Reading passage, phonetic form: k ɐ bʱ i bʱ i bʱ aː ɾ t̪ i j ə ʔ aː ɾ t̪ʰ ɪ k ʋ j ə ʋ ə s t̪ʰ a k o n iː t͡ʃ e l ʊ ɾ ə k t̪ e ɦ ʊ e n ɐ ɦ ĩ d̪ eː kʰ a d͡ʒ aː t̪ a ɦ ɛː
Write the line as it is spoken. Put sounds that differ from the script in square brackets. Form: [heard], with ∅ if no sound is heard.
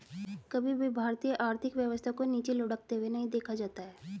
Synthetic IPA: k ɐ bʱ i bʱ i bʱ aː ɾ t̪ i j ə ʔ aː ɾ t̪ʰ ɪ k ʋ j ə ʋ ə s t̪ʰ a k o n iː t͡ʃ e l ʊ [ɽ] ə k t̪ e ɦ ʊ e n ɐ ɦ ĩ d̪ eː kʰ a d͡ʒ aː t̪ a ɦ ɛː